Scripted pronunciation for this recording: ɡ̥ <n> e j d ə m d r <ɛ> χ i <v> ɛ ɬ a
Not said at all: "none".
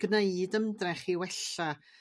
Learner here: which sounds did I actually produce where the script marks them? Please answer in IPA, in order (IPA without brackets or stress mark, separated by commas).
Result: n, ɛ, w